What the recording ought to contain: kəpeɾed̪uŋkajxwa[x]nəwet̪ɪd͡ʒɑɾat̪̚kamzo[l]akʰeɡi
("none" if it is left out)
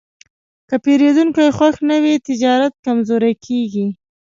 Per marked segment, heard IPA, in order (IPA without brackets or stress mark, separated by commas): x, ɾ